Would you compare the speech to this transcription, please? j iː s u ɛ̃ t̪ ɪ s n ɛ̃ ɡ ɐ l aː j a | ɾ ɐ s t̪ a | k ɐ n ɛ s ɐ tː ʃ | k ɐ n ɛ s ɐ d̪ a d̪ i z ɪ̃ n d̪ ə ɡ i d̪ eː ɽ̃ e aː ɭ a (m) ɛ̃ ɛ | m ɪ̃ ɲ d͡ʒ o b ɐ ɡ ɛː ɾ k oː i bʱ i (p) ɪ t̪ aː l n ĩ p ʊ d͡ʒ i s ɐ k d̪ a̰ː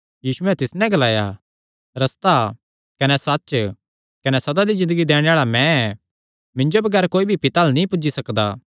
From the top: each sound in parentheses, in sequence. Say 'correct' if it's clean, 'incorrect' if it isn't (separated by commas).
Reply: correct, correct